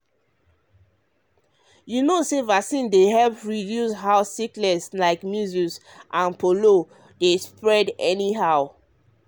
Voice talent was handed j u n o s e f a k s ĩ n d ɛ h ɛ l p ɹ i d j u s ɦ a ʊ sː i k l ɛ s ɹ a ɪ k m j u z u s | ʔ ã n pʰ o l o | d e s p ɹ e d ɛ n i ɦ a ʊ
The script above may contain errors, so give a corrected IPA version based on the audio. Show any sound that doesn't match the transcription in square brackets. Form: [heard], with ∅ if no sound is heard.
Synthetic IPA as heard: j u n o s e [v] a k s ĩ n d [e] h ɛ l p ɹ i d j u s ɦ a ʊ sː i k l ɛ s [l] a ɪ k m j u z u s | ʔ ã n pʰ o l o | d e s p ɹ [ɛ] d ɛ n i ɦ a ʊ